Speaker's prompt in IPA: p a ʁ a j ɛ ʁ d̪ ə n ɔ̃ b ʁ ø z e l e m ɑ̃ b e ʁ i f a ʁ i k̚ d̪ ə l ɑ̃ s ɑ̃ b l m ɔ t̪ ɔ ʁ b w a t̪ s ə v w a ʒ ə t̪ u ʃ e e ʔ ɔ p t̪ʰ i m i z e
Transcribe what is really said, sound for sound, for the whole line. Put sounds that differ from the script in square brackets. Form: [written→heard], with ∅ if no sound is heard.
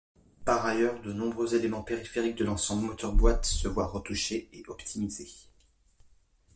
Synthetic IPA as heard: p a ʁ a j [ɛ→œ] ʁ d̪ ə n ɔ̃ b ʁ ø z e l e m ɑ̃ [b→p] e ʁ i f [a→e] ʁ i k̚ d̪ ə l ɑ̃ s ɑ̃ b l m ɔ t̪ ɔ ʁ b w a t̪ s ə v w a [ʒ→ʁ] ə t̪ u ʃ e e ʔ ɔ p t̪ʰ i m i z e